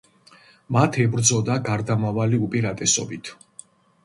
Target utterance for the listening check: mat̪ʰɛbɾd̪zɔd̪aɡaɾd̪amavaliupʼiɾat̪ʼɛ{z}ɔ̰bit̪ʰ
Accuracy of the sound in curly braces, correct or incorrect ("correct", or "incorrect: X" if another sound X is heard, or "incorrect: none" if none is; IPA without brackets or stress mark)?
incorrect: s